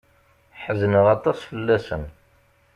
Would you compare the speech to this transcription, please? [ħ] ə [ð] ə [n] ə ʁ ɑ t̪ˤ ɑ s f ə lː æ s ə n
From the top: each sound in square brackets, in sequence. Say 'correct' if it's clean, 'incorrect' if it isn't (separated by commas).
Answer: correct, incorrect, correct